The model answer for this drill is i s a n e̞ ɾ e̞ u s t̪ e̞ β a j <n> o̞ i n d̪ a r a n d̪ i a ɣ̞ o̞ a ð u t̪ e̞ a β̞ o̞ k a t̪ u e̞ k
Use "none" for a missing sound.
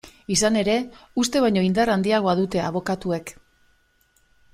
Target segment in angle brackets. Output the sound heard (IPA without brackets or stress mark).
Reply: ɲ